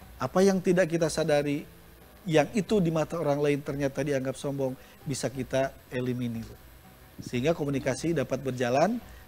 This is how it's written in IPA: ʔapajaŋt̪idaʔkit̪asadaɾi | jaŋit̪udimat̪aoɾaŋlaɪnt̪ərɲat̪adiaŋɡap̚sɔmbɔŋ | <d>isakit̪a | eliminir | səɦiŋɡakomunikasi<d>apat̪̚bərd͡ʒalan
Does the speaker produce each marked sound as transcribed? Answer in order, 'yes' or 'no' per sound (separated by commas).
no, yes